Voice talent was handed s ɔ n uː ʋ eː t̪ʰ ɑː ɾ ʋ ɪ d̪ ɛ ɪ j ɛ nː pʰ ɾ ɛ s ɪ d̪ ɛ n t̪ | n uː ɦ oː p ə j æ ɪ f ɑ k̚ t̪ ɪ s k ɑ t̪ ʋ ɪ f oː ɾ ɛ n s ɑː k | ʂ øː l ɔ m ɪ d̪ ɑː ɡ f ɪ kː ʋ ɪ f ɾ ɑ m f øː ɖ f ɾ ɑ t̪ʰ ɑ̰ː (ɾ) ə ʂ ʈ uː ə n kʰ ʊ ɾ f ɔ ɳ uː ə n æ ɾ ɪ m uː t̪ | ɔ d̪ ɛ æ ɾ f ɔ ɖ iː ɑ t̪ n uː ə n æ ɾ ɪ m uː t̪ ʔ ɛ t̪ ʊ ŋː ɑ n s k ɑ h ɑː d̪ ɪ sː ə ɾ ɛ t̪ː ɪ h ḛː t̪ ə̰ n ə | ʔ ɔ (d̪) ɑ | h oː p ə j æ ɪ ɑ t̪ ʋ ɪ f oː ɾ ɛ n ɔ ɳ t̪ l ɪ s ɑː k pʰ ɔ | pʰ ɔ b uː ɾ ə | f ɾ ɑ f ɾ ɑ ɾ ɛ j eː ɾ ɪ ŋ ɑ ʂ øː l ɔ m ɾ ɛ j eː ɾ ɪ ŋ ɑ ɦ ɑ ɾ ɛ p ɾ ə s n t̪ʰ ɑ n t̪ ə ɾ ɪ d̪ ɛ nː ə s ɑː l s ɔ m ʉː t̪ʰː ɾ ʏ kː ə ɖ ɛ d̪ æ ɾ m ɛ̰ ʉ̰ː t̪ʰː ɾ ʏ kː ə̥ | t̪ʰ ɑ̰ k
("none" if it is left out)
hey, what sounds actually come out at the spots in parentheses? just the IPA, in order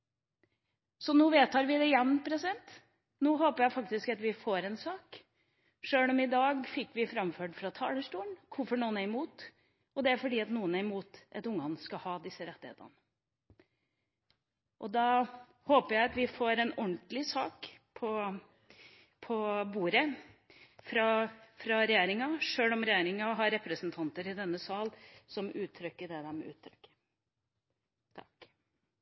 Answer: l, d̪

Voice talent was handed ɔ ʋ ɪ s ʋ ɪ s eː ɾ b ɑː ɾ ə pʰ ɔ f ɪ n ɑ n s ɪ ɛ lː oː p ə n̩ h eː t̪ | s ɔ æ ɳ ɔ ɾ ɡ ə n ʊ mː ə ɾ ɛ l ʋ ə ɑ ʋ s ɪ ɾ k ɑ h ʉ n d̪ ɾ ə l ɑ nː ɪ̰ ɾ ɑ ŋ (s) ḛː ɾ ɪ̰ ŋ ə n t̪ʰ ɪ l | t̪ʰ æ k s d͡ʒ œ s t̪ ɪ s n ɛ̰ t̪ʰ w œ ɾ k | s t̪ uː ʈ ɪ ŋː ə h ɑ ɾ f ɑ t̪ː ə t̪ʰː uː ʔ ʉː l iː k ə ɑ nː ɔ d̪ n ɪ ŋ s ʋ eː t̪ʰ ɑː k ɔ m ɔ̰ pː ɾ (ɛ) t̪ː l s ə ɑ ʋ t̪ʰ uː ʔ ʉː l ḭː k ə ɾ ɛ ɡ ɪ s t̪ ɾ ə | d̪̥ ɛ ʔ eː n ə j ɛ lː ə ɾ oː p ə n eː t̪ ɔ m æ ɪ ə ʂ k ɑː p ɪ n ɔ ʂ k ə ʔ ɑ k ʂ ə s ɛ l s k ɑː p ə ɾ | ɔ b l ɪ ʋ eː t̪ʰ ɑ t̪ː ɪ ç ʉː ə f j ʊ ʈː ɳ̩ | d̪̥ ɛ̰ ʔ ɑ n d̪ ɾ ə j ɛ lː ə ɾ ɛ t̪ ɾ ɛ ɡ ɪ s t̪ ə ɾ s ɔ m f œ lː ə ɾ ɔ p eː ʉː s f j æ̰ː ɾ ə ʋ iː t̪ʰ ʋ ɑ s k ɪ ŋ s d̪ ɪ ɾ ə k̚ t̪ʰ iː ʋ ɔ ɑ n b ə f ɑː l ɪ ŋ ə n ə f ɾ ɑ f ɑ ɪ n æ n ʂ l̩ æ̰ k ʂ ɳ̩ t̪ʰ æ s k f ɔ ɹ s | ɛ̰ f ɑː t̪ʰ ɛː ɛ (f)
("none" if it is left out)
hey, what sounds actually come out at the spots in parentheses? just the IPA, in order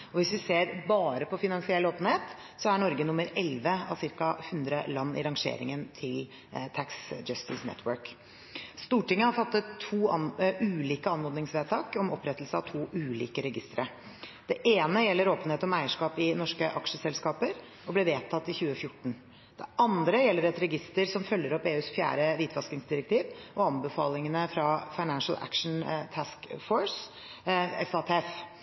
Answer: ʂ, ɛ, f

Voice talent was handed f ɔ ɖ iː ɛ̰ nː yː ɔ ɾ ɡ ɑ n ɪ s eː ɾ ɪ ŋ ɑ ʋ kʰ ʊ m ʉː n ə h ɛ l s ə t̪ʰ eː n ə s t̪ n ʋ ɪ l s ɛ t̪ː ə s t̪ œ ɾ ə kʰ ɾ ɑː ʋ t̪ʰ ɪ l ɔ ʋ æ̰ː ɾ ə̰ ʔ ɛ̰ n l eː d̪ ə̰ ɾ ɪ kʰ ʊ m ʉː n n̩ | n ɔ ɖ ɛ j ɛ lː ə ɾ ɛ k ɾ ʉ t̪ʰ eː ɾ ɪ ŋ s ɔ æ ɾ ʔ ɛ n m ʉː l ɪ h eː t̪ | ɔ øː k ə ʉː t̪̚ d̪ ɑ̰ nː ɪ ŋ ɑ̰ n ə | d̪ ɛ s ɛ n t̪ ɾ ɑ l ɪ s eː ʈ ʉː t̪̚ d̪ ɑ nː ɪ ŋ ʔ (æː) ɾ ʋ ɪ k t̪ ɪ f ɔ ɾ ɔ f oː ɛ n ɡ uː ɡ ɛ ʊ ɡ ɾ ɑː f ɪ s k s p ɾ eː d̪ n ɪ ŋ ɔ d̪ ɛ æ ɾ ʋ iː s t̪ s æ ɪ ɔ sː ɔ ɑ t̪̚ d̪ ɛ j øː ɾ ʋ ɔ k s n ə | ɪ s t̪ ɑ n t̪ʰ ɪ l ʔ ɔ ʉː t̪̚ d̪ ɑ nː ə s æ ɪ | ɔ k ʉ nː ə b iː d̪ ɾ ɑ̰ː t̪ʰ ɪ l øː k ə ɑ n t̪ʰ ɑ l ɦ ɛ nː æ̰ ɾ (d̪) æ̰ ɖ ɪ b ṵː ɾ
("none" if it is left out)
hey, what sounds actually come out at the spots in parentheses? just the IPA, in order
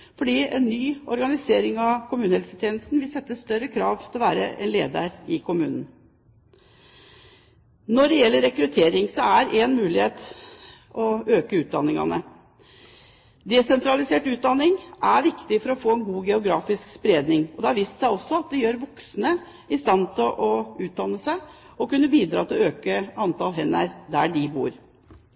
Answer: æ, d̪

